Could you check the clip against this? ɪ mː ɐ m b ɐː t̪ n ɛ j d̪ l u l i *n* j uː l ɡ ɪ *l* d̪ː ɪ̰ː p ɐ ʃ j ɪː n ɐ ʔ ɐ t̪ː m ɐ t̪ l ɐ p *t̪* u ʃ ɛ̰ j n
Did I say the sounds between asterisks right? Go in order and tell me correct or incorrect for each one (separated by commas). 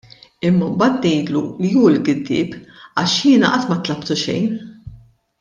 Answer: incorrect, incorrect, correct